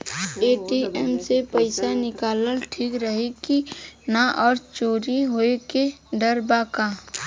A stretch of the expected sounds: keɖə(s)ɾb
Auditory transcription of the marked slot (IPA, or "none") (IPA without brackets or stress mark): none